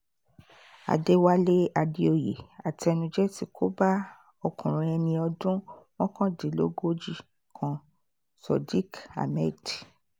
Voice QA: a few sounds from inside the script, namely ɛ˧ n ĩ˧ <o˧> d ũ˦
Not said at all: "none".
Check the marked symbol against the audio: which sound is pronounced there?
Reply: ɔ˧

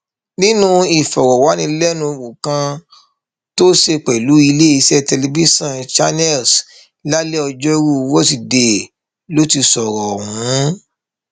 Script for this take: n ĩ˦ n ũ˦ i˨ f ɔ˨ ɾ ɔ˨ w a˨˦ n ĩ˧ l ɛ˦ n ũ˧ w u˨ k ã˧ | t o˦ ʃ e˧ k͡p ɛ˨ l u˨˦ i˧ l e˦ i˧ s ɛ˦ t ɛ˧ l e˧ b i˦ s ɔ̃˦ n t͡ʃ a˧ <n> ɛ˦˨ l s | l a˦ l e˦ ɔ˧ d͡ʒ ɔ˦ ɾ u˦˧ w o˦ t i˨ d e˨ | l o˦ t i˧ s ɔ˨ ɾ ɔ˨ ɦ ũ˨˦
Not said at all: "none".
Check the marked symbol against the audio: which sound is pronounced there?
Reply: n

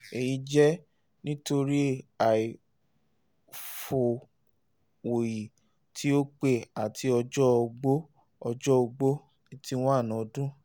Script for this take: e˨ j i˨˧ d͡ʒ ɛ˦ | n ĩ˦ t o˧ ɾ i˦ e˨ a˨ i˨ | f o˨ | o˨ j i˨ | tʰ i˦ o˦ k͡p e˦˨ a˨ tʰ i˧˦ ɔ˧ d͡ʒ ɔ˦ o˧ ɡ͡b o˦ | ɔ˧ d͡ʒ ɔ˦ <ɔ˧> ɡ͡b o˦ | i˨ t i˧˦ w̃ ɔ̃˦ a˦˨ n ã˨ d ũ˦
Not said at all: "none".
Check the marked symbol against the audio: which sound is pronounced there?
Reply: o˧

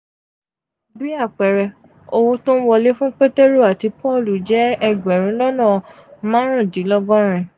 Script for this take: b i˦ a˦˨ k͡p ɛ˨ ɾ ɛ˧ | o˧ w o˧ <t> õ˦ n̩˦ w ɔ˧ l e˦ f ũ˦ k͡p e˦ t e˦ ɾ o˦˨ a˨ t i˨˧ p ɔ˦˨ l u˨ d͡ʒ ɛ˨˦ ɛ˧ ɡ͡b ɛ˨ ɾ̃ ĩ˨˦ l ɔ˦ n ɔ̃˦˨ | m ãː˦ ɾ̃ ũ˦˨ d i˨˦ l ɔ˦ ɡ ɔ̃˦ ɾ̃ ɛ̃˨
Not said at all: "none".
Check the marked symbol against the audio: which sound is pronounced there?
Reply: t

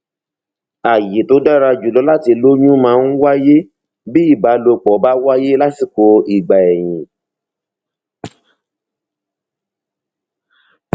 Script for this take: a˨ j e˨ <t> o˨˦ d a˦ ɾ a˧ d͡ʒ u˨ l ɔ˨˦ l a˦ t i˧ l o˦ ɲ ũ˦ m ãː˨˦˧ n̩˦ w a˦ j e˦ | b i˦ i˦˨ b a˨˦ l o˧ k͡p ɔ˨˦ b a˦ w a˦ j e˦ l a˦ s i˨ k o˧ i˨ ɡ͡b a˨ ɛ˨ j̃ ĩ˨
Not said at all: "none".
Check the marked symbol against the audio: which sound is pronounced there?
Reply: t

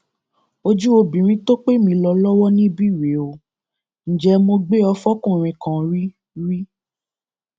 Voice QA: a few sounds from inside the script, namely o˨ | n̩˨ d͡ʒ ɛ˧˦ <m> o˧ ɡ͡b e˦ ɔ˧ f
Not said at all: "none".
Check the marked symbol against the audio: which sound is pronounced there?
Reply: m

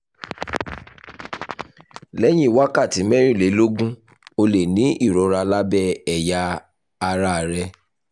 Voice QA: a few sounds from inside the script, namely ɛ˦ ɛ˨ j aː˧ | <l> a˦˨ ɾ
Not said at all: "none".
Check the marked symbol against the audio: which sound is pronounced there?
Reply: ɾ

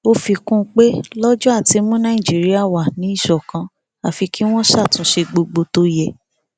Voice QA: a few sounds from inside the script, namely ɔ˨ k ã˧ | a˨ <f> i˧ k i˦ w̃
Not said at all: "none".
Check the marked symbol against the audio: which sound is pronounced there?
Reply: f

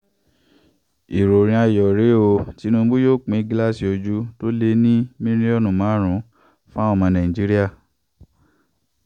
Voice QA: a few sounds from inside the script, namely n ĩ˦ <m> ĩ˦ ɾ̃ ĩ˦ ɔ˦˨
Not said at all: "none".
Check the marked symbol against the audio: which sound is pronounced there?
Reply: m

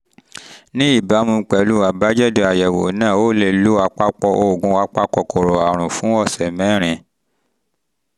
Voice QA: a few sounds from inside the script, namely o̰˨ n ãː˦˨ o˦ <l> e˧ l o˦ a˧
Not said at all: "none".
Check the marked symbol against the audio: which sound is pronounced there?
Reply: l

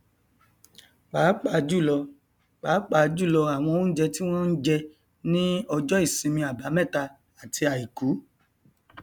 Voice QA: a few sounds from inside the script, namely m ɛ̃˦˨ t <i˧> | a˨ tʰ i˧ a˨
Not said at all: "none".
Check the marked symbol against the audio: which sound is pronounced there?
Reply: a˧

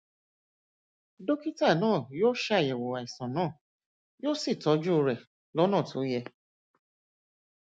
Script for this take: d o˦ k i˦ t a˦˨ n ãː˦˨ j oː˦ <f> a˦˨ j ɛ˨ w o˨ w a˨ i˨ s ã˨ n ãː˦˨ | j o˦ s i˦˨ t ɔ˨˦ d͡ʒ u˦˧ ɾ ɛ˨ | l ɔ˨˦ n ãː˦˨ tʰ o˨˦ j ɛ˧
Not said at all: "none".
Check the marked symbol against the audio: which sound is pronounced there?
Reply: ʃ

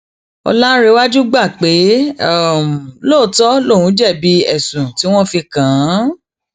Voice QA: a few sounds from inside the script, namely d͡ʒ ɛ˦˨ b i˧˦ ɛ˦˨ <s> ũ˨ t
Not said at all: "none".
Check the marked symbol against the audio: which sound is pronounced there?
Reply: s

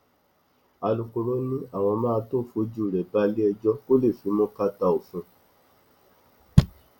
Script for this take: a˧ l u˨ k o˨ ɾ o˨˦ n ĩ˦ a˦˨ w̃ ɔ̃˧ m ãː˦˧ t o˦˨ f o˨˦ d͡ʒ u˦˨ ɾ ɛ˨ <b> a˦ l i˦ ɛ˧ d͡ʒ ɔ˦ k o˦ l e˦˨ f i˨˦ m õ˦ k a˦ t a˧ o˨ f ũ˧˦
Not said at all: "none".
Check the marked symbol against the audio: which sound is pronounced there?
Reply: b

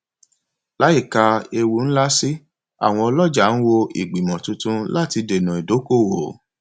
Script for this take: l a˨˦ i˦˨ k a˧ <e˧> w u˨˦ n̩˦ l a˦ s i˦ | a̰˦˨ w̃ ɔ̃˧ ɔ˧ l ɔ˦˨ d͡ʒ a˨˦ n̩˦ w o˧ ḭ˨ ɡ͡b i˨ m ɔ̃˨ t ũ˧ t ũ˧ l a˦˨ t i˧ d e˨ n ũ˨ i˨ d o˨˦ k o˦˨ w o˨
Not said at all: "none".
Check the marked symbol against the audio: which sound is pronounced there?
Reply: e˧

